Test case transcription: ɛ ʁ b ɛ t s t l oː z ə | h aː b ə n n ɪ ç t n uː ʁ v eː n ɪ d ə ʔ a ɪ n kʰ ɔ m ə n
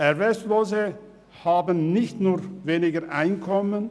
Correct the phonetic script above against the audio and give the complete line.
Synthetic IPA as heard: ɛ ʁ v ɛ s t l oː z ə | h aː b ə n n ɪ ç t n uː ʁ v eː n ɪ ɡ ə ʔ a ɪ n kʰ ɔ m ə n